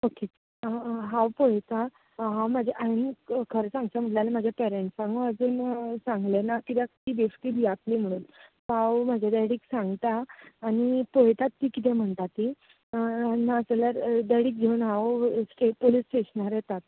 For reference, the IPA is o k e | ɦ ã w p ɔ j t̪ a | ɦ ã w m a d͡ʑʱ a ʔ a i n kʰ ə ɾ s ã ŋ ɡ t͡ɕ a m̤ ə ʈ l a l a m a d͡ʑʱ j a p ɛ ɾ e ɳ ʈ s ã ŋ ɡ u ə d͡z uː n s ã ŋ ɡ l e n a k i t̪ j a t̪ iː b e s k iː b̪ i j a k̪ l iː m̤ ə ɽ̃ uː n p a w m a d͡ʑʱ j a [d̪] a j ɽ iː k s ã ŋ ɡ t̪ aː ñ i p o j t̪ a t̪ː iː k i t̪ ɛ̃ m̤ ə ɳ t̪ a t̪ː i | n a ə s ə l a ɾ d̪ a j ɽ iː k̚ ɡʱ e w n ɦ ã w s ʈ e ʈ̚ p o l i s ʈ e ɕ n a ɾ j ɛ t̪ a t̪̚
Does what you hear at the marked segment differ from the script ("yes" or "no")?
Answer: no